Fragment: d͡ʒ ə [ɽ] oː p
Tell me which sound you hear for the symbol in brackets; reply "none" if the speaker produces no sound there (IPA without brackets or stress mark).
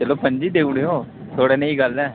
l